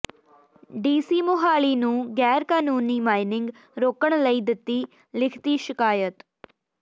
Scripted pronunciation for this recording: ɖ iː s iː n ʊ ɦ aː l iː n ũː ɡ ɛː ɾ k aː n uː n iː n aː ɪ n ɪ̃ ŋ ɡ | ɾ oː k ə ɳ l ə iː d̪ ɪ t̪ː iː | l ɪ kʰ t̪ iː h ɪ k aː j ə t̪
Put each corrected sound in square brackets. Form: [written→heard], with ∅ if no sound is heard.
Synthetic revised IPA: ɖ iː s iː [n→m] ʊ ɦ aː l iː n ũː ɡ ɛː ɾ k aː n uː n iː [n→m] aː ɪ n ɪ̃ ŋ ɡ | ɾ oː k ə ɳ l ə iː d̪ ɪ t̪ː iː | l ɪ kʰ t̪ iː [h→ʃ] ɪ k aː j ə t̪